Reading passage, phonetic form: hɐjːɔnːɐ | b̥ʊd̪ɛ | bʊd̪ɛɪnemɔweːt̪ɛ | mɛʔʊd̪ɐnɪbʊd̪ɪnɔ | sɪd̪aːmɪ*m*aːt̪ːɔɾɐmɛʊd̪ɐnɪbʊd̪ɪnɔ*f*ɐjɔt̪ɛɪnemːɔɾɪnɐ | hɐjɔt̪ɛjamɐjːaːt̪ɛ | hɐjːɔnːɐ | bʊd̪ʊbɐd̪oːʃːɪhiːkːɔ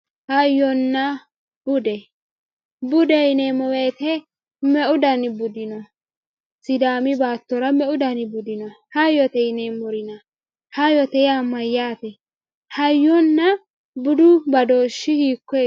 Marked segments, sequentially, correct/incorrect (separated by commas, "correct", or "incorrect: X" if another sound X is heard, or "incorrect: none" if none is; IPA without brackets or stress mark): incorrect: b, incorrect: h